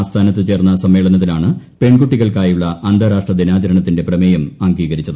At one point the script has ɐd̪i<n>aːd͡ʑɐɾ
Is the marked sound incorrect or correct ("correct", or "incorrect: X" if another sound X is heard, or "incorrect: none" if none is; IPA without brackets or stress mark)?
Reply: correct